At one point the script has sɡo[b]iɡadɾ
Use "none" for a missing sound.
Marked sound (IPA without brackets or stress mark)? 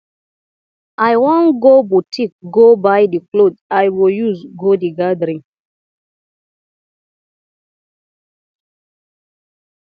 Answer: d